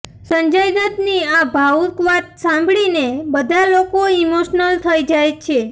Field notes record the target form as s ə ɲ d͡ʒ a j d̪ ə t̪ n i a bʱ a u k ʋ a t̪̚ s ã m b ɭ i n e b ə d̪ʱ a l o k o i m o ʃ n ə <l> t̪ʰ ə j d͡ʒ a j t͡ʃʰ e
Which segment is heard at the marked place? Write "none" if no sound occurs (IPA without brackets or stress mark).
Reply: l